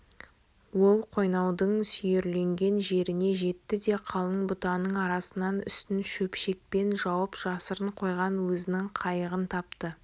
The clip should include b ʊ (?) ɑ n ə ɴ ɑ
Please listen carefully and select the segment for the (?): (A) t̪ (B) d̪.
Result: A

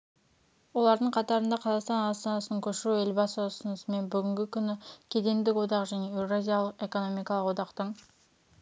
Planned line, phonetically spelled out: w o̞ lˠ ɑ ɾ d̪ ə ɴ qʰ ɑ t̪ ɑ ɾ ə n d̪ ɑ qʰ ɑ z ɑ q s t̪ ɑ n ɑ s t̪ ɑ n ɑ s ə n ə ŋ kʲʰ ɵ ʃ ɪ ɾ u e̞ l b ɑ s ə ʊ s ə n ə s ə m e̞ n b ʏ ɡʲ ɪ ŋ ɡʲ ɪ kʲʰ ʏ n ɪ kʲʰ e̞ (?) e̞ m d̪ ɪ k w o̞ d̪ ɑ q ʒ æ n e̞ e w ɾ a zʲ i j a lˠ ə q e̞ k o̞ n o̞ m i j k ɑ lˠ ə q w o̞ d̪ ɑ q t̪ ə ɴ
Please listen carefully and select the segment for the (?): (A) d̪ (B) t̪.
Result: A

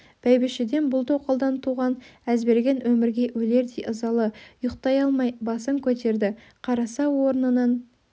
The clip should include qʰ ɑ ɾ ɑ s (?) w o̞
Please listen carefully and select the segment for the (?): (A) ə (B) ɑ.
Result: B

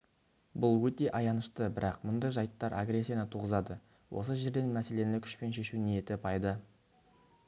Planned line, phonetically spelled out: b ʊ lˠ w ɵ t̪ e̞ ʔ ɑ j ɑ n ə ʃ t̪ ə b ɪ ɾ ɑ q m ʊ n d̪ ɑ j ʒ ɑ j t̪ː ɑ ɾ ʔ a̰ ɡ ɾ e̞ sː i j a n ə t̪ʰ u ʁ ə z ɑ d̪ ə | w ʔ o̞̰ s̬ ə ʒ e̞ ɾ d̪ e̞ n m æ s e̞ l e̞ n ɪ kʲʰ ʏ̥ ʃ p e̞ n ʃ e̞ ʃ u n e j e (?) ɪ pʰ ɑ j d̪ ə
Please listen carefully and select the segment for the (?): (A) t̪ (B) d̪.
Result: A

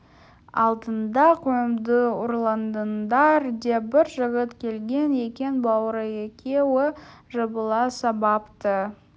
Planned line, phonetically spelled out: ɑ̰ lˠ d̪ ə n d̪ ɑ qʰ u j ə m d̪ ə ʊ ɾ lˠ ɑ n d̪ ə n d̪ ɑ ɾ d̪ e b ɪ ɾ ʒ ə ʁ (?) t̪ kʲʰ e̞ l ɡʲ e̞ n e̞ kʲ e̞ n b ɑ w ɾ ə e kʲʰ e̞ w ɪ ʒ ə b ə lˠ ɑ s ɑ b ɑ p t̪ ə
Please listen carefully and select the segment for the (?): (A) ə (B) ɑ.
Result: A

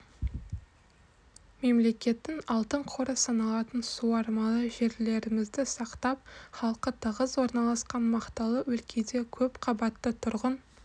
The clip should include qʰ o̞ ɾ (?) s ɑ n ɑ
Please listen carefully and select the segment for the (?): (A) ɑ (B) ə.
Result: B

